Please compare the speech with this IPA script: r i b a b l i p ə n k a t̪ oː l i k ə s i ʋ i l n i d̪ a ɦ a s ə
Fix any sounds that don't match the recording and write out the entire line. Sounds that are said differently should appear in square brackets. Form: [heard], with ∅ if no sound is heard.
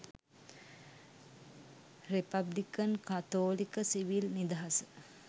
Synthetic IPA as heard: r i [p] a b l i [k] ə n k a t̪ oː l i k ə s i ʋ i l n i d̪ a ɦ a s ə